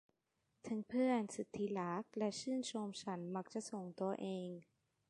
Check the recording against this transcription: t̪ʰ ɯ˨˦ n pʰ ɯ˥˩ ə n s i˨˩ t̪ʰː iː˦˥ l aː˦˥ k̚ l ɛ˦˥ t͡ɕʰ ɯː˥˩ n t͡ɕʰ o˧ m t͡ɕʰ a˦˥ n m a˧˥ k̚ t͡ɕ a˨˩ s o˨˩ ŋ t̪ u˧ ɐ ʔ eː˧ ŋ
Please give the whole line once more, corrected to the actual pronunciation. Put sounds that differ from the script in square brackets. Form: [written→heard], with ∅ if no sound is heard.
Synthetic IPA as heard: t̪ʰ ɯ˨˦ [n→ŋ] pʰ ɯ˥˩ ə n s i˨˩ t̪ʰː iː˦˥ l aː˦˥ k̚ l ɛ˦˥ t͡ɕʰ ɯː˥˩ n t͡ɕʰ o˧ m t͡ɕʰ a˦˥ n m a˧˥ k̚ t͡ɕ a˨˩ s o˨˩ ŋ t̪ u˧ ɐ ʔ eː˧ ŋ